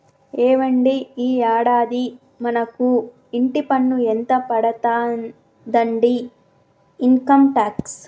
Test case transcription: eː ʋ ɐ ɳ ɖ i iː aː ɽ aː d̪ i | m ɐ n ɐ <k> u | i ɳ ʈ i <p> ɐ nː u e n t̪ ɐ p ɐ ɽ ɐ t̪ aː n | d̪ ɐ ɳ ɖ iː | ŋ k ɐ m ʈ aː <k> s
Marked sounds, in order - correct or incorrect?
correct, correct, correct

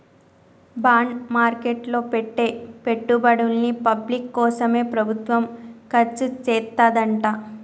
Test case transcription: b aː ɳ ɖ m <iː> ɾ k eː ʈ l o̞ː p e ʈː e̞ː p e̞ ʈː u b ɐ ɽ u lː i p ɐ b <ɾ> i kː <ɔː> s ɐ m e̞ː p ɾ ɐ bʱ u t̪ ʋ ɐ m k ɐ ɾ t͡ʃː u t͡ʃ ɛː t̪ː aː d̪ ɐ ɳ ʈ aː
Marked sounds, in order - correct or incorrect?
incorrect, incorrect, correct

